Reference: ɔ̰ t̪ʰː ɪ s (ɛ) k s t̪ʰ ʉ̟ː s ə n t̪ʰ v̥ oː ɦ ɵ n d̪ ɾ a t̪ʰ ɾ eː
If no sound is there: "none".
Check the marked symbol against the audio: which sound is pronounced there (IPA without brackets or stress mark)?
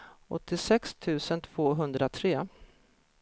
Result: ɛ